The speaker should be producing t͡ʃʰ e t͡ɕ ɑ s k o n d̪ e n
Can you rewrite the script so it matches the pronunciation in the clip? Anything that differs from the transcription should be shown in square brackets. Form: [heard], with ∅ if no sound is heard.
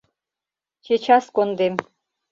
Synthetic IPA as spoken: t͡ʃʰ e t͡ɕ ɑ s k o n d̪ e [m]

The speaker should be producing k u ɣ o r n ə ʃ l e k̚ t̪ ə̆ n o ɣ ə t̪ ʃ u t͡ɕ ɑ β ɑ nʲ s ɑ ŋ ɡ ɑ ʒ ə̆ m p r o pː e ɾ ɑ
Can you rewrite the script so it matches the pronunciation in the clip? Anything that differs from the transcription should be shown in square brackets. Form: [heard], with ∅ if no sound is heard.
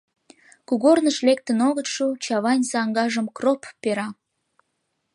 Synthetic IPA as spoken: k u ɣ o r n ə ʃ l e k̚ t̪ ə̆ n o ɣ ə t̪ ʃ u t͡ɕ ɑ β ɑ nʲ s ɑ ŋ ɡ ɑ ʒ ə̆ m [k] r o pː e ɾ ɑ

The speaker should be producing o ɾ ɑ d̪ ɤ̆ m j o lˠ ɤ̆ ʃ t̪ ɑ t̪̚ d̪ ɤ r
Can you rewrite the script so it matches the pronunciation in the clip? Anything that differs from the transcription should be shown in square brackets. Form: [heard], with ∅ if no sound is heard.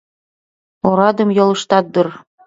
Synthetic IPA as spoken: o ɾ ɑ d̪ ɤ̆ m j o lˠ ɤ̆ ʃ t̪ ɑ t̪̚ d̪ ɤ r

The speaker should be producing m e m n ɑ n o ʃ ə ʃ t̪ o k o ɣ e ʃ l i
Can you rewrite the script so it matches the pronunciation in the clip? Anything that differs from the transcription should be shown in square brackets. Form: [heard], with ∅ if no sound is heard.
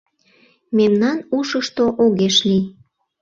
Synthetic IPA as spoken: m e m n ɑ n [u] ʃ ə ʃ t̪ o [ʔ] o ɣ e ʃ l i

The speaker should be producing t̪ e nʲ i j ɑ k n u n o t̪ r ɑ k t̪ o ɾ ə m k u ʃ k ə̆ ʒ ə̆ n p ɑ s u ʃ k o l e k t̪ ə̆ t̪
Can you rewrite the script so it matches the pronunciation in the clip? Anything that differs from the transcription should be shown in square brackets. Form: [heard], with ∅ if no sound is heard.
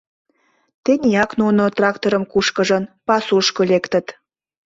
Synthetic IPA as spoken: t̪ e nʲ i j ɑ k n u n o t̪ r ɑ k t̪ o ɾ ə m k u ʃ k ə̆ ʒ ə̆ n p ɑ s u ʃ k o l e k t̪ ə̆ t̪

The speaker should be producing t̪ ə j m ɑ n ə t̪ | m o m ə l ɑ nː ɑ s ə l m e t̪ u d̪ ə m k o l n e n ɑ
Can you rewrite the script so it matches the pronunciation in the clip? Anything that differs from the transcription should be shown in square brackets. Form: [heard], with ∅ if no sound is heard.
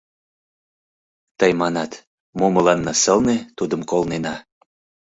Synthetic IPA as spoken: t̪ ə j m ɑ n [ɑ] t̪ | m o m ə l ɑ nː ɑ s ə l [n] e t̪ u d̪ ə m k o l n e n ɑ

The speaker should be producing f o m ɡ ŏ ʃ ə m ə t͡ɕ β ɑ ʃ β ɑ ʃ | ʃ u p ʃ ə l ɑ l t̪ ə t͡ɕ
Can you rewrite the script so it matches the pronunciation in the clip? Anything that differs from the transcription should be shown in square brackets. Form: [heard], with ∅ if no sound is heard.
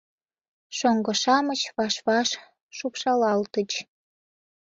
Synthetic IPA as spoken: [ʃ] o [ŋ] ɡ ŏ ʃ [ɑ] m ə t͡ɕ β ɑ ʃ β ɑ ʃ | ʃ u p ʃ [ɑ] l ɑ l t̪ ə t͡ɕ

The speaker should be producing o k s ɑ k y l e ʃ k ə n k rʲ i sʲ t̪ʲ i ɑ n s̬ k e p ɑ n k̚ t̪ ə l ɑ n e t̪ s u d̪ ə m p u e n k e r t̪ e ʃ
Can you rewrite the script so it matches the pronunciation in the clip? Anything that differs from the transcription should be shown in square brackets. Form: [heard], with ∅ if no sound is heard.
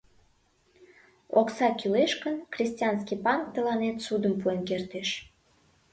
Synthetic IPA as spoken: o k s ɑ k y l e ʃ k ə n k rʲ i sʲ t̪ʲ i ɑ n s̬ k [i] p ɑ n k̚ t̪ ə l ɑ n e t̪ s u d̪ ə m p u e n k e r t̪ e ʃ

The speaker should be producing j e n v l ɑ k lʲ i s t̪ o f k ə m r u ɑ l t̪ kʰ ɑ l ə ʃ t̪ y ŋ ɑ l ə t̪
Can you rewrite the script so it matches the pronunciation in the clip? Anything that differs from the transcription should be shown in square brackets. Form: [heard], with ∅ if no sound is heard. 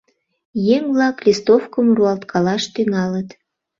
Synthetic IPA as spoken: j e [ŋ] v l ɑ k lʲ i s t̪ o f k ə m r u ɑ l t̪ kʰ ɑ l [ɑ] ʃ t̪ y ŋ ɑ l ə t̪

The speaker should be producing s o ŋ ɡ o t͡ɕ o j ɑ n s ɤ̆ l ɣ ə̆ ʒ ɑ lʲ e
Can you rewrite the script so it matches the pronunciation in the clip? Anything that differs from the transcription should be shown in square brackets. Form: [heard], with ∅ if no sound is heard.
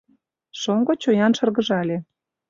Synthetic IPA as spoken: [ʃ] o ŋ ɡ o t͡ɕ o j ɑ n [ʃ] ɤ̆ [r] ɣ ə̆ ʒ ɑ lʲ e

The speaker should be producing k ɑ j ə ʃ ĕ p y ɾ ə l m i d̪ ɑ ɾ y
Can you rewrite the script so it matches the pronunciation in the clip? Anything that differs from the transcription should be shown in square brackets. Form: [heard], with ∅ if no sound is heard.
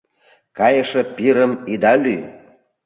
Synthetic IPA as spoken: k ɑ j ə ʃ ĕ p [i] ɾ ə [∅] m i d̪ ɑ [l] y

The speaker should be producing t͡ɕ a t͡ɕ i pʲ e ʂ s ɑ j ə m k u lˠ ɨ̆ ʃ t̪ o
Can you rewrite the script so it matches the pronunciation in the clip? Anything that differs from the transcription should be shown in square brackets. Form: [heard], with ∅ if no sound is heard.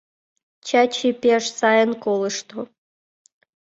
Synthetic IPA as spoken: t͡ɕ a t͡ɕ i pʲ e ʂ s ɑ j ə [n] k [o] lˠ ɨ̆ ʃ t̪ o

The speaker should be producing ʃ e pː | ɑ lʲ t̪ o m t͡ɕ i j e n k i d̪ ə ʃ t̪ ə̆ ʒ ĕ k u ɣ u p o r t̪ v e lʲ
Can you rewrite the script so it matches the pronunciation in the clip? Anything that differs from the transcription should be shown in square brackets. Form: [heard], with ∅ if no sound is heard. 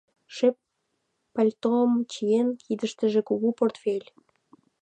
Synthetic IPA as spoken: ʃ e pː | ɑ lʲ t̪ o m t͡ɕ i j e n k i d̪ ə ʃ t̪ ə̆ ʒ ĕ k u ɣ u p o r t̪ [f] e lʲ

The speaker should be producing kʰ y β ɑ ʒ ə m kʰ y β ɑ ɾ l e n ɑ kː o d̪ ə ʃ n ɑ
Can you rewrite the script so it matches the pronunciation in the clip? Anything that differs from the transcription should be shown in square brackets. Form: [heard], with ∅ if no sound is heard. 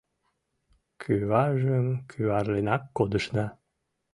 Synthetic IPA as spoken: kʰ y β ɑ ʒ ə m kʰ y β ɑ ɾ l e n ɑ kː o d̪ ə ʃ n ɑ

